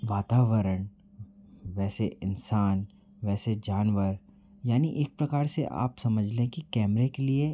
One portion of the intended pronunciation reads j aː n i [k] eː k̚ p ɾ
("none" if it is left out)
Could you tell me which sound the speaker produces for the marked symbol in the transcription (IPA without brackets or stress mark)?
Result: ʔ